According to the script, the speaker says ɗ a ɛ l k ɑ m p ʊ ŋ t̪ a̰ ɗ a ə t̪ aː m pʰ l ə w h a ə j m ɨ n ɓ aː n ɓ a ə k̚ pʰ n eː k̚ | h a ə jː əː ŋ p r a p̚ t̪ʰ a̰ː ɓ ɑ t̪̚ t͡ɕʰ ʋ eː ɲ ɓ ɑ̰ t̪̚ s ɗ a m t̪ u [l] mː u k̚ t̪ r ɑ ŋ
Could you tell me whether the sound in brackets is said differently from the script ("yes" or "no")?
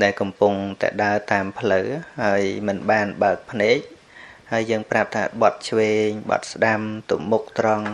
yes